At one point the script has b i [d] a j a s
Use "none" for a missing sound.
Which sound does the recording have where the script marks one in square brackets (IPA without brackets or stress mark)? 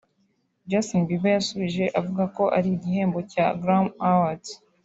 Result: b